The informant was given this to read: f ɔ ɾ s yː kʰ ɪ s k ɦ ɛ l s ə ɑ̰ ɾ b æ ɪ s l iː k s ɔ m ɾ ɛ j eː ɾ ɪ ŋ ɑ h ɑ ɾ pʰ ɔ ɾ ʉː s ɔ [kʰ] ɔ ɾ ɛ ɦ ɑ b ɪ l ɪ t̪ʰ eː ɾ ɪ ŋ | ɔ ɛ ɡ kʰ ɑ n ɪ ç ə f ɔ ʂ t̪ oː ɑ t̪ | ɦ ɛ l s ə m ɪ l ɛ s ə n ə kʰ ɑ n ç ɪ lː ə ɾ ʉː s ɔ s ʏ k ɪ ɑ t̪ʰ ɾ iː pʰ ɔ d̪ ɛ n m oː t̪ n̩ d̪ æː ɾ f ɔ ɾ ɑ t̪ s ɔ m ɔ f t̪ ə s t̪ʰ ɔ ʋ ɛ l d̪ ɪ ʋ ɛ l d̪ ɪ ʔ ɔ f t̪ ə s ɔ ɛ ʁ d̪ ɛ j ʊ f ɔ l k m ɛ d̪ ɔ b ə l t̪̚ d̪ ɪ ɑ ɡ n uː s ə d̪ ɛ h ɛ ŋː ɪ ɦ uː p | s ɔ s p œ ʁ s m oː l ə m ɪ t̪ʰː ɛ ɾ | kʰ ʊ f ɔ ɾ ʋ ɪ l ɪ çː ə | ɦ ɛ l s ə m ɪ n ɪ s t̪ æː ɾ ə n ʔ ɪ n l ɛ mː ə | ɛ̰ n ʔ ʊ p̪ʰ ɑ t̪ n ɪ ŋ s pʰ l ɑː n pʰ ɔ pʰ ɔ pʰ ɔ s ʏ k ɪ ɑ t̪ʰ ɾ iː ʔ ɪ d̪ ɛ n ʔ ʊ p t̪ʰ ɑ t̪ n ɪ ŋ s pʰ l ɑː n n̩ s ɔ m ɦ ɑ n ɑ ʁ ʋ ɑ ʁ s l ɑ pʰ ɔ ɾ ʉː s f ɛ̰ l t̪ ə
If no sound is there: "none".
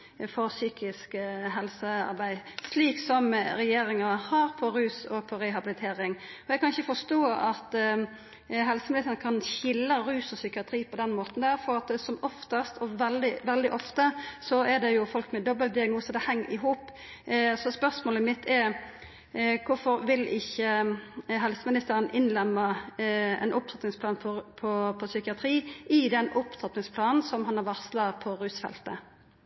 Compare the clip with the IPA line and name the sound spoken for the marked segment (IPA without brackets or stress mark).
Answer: pʰ